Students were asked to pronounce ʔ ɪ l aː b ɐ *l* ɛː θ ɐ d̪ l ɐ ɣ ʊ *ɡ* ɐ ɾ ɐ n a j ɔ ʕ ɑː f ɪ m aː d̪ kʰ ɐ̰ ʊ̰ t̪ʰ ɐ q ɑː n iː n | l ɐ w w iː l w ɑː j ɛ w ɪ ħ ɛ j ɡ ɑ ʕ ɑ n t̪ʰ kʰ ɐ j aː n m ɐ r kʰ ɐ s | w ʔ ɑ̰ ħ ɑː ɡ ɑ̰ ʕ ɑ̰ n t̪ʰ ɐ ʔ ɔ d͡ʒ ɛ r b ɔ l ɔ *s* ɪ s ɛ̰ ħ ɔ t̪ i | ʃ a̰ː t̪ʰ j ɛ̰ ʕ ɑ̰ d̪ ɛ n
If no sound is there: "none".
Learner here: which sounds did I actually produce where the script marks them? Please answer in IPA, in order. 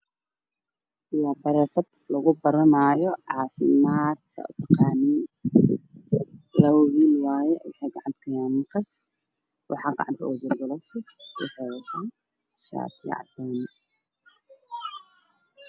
ɾ, b, f

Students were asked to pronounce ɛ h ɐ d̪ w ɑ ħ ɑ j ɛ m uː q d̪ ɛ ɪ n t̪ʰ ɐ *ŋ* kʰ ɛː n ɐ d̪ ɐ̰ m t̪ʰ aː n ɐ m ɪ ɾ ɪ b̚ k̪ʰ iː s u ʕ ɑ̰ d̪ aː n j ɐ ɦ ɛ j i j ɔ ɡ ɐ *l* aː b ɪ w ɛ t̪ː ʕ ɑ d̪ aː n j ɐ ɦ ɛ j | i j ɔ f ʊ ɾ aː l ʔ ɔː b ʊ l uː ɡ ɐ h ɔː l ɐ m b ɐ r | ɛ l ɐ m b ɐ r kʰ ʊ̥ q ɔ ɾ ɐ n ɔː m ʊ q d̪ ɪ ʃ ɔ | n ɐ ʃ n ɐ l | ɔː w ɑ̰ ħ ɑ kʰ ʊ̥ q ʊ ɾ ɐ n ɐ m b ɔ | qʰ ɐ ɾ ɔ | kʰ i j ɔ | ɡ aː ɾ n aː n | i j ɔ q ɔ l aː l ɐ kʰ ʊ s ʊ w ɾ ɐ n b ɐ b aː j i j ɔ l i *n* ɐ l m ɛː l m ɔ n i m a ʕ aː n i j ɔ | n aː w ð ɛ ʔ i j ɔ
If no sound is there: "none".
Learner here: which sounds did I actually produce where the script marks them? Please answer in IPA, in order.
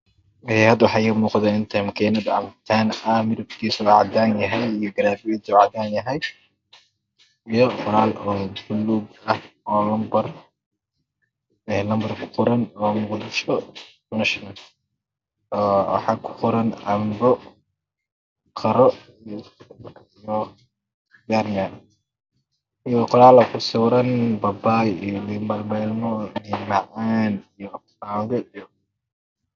m, ɾ, m

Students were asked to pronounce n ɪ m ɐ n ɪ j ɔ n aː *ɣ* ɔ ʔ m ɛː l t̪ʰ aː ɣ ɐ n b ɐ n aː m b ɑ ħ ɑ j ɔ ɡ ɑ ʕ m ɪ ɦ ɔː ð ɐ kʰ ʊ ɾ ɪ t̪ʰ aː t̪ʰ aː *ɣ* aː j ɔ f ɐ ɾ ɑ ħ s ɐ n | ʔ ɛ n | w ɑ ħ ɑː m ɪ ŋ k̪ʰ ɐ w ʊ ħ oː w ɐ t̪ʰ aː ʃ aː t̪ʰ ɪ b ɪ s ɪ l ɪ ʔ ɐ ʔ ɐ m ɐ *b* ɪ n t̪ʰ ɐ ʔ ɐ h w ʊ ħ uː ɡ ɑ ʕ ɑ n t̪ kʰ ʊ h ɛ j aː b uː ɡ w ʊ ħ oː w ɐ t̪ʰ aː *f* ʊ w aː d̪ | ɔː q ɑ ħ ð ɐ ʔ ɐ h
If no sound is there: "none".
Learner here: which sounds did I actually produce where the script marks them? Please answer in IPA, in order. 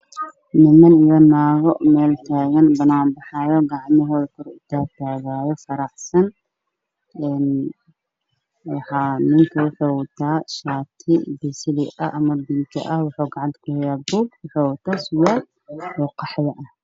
ɣ, ɣ, b, s

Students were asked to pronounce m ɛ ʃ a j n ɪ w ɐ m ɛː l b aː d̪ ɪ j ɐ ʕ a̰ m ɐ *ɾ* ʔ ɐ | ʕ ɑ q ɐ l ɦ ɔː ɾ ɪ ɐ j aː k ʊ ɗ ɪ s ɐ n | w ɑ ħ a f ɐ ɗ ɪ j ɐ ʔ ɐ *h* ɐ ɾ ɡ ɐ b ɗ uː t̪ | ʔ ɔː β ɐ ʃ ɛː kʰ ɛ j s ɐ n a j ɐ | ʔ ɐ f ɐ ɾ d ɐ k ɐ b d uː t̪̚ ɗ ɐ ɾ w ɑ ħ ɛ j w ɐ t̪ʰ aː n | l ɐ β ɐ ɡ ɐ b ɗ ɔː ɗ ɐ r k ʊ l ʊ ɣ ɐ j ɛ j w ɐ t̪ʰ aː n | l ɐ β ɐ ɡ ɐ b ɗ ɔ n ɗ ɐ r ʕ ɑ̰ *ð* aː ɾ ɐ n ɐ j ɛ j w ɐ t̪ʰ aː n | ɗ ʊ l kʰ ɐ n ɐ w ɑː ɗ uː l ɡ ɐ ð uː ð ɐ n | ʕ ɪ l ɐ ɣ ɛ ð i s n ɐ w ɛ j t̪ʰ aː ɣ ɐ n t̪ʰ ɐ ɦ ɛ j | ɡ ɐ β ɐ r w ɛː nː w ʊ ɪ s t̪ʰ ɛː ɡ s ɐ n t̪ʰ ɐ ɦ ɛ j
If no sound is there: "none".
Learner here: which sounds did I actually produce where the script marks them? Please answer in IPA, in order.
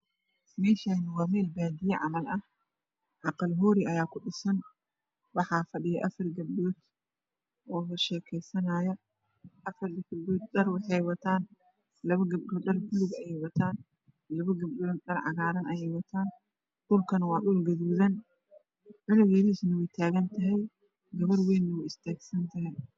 l, f, ɣ

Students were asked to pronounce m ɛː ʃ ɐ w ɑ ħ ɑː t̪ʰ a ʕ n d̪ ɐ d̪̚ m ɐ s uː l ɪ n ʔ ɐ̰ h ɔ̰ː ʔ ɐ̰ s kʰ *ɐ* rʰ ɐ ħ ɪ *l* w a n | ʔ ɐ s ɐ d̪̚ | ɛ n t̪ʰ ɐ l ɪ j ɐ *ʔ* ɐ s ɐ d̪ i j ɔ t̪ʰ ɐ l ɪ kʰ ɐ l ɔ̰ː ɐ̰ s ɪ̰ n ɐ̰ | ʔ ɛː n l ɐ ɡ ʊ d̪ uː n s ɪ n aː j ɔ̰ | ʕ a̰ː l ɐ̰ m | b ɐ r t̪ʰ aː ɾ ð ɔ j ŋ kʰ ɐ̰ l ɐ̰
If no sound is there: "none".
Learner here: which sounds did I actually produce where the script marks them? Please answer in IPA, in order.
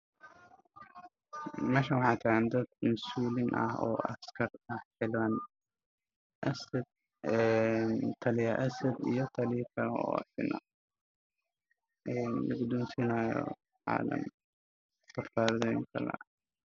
ɐ, l, ʔ

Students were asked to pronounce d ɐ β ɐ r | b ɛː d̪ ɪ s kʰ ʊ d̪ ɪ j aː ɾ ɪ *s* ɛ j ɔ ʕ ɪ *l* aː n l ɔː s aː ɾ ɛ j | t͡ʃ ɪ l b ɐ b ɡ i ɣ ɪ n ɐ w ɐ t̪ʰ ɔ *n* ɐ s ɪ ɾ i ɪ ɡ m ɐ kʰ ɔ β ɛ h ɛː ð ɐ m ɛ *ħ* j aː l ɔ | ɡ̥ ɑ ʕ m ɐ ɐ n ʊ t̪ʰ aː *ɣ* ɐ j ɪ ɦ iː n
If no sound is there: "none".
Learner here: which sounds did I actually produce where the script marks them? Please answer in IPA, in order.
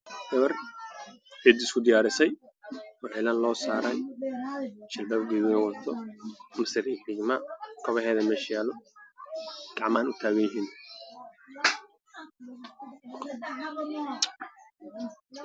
s, l, m, ʃ, ɣ

